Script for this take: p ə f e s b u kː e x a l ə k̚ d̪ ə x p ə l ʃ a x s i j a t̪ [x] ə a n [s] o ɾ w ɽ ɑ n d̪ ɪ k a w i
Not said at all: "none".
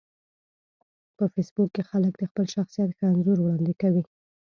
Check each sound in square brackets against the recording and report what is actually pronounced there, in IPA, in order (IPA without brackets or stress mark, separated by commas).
x, z